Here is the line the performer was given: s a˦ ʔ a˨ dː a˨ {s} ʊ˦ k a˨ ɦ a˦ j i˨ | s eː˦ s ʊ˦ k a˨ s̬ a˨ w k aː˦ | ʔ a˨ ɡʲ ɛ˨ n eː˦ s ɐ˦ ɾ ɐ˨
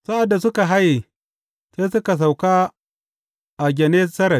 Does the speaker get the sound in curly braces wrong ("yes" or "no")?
no